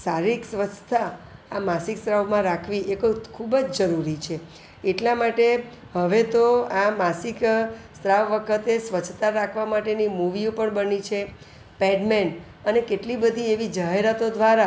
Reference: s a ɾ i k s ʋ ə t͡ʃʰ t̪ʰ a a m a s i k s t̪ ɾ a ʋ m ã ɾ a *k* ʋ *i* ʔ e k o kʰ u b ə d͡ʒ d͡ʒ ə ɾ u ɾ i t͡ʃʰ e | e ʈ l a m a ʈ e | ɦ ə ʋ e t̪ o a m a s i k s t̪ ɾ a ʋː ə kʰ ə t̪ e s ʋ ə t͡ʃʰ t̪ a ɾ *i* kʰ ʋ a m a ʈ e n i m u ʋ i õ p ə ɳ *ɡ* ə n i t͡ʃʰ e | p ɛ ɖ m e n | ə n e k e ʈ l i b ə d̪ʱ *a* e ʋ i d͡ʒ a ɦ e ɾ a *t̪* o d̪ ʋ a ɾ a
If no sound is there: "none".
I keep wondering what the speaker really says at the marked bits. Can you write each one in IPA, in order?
kʰ, i, a, b, i, t̪

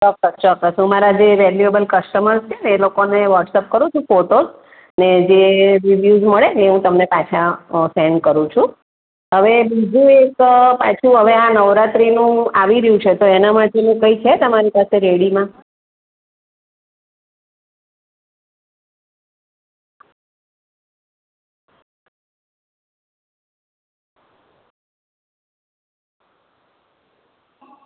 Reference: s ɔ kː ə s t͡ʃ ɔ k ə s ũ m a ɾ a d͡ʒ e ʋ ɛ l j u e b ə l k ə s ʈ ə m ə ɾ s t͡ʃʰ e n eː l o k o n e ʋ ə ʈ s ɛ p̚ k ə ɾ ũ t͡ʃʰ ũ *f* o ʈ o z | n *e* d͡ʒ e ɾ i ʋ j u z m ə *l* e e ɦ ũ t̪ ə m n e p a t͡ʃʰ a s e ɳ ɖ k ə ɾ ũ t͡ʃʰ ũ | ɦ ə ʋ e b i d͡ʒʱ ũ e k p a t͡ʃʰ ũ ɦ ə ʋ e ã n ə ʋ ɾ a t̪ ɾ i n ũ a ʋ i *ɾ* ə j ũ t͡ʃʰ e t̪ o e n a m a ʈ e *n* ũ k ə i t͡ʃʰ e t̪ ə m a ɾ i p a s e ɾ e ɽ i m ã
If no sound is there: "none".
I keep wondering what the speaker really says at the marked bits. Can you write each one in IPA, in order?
f, e, ɭ, ɾ, n

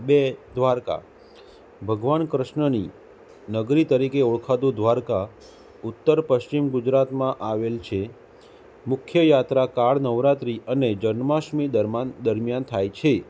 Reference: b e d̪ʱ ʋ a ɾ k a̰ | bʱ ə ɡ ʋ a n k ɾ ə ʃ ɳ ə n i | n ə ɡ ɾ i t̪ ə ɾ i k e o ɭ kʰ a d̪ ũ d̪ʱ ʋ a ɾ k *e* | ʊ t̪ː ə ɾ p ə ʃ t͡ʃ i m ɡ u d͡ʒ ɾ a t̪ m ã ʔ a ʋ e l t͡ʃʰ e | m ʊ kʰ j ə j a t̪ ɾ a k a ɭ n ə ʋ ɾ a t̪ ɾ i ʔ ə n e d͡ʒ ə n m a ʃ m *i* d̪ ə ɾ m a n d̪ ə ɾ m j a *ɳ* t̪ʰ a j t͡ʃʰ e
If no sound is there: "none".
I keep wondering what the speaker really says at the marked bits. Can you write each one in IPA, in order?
a, i, n

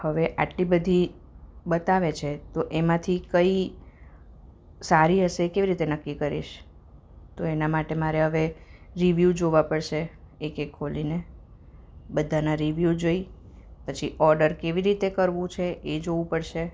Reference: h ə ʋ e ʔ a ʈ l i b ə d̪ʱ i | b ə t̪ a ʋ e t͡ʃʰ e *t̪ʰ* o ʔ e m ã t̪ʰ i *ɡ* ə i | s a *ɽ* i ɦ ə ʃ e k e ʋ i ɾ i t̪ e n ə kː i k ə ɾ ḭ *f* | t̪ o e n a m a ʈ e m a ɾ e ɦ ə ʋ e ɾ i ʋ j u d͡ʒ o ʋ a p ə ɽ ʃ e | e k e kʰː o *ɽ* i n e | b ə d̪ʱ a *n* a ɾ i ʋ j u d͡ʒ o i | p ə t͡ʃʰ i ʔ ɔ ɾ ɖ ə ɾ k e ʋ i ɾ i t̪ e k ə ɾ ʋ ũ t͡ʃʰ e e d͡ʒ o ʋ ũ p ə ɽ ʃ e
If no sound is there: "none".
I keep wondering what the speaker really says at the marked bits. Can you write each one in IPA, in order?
t̪, k, ɾ, ʃ, l, n

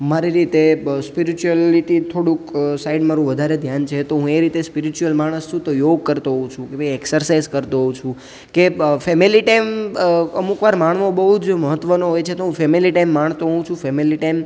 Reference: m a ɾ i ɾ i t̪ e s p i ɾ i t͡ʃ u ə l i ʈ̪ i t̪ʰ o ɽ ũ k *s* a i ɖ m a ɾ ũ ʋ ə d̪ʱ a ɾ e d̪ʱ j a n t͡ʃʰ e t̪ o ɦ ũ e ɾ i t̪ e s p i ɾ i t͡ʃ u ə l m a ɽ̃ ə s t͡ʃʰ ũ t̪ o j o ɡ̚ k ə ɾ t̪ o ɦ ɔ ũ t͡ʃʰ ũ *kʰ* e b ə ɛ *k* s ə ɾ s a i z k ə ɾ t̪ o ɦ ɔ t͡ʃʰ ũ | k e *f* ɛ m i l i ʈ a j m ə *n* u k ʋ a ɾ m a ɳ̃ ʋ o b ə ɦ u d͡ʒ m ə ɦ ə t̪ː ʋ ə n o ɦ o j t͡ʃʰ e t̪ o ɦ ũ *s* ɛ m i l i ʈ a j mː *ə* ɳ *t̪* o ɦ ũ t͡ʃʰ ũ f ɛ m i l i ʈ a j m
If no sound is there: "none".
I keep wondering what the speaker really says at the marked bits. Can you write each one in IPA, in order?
s, k, k, f, m, f, a, t̪

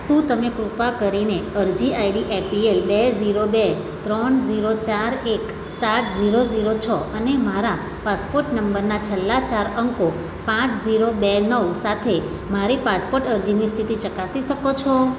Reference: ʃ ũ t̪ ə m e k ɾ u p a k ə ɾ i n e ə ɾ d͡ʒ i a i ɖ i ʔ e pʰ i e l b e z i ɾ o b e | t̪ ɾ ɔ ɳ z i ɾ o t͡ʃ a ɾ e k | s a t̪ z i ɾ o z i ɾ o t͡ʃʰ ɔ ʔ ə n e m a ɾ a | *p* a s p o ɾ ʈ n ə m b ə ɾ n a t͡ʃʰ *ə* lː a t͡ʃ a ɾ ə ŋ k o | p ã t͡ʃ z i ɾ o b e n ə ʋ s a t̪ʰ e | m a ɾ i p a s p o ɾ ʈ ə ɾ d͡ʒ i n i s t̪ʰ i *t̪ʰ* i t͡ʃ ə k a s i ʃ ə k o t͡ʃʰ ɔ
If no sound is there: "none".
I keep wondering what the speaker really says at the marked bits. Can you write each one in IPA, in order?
p, ə, t̪

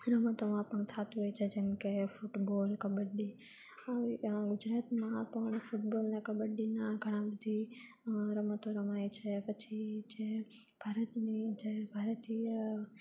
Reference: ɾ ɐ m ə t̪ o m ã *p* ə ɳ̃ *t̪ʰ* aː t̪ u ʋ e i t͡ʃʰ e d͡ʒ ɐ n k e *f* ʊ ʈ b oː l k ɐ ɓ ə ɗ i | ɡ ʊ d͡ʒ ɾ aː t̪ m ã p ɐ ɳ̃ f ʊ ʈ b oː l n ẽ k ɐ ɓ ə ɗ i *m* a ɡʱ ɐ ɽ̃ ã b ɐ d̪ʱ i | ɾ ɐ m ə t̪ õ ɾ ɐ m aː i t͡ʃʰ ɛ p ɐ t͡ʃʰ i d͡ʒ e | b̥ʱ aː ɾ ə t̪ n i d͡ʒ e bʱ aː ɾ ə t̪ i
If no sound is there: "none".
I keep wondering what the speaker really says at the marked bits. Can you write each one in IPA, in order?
p, t̪ʰ, f, n

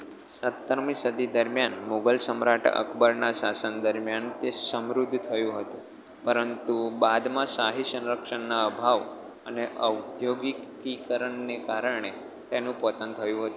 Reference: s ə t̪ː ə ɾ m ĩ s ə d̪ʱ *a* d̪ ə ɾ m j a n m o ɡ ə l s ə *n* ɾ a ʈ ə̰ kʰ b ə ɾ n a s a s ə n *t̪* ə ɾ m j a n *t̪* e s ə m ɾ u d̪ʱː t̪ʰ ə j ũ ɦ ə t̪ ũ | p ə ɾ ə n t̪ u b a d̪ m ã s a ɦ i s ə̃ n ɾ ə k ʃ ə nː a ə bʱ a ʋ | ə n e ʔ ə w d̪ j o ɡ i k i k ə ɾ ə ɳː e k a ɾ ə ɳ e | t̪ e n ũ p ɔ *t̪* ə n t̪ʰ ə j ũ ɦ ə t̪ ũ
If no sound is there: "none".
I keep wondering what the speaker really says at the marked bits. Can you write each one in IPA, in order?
i, m, d̪, t̪, t̪

